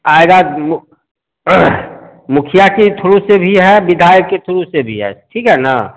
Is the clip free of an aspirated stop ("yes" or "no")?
no